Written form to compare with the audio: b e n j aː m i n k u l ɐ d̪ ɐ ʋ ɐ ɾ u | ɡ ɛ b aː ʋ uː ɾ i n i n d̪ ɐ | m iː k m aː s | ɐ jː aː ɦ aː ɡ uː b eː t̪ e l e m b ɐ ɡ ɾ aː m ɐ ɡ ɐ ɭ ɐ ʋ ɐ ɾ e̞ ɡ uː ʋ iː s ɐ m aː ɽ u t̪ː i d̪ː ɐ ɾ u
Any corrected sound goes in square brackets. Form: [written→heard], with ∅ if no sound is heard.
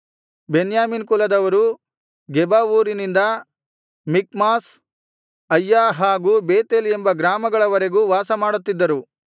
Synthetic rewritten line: b e n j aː m i n k u l ɐ d̪ ɐ ʋ ɐ ɾ u | ɡ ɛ b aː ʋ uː ɾ i n i n d̪ ɐ | m [iː→i] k m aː s | ɐ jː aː ɦ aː ɡ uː b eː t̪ e l e m b ɐ ɡ ɾ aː m ɐ ɡ ɐ ɭ ɐ ʋ ɐ ɾ e̞ ɡ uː ʋ [iː→aː] s ɐ m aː ɽ u t̪ː i d̪ː ɐ ɾ u